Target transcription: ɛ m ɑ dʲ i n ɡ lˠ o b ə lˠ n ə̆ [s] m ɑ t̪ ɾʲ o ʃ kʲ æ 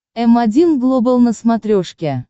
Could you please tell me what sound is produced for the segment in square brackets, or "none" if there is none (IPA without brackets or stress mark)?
s